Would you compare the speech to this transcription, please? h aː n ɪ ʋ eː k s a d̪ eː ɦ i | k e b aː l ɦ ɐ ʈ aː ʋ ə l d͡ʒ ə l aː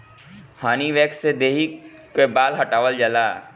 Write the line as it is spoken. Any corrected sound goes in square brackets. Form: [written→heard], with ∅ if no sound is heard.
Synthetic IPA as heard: h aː n [ɪ→i] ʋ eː k s [a→e] d̪ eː ɦ i | k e b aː l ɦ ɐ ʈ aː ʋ ə l d͡ʒ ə l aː